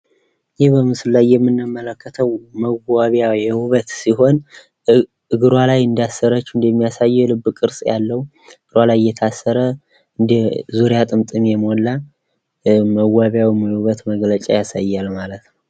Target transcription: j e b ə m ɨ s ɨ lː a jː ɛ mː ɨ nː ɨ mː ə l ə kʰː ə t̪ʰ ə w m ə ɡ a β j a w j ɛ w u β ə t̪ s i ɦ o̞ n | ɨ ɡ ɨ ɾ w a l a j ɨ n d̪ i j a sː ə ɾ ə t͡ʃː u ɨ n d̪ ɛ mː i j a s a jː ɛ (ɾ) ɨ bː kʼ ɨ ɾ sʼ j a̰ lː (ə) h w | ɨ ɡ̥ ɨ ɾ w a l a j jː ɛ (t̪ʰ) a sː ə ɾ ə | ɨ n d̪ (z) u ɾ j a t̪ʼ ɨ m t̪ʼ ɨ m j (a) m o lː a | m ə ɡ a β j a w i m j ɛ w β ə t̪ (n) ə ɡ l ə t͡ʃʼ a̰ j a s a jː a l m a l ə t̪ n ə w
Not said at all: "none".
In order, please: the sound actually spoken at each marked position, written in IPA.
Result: l, ə, t̪ʰ, z, ɛ, m

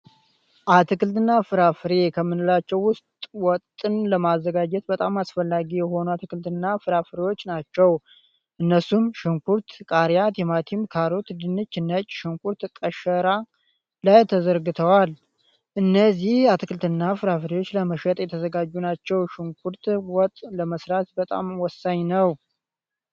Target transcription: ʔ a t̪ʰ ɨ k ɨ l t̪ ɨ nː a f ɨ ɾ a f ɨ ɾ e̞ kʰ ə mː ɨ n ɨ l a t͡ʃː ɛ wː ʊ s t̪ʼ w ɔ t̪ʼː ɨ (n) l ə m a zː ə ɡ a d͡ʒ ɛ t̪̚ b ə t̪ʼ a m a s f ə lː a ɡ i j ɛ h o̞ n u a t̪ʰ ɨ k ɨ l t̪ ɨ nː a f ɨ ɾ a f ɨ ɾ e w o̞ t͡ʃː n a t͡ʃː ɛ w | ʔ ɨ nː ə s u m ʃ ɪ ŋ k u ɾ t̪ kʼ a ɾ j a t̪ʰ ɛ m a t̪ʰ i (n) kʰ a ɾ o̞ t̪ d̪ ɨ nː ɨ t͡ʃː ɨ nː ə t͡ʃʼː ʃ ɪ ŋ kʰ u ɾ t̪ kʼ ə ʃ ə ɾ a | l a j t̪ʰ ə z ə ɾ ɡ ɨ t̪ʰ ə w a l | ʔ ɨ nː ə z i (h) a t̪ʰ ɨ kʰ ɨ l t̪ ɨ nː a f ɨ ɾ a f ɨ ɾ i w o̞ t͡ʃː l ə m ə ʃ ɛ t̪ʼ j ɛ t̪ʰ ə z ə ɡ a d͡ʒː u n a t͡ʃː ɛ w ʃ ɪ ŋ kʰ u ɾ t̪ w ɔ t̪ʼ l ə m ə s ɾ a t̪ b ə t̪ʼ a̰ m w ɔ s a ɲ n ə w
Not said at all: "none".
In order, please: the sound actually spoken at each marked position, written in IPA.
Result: n, m, h

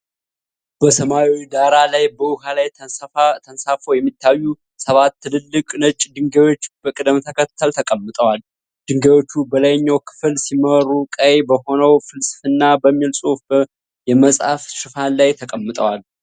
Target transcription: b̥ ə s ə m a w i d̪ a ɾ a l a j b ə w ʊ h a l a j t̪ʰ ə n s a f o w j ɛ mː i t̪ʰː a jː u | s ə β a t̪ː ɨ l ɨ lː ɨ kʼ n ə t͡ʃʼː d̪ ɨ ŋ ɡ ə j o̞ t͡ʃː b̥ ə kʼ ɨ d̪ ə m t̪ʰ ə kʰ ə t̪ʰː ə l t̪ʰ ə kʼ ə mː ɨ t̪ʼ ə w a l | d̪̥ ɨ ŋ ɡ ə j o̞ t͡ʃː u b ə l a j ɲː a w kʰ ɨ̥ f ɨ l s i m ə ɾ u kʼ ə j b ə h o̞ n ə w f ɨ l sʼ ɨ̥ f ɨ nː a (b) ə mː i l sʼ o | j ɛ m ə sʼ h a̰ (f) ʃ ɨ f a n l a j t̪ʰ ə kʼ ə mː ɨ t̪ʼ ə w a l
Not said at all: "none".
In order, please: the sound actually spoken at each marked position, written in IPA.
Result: b, f

